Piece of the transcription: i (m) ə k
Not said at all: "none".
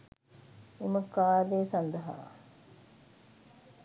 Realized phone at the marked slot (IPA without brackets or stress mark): m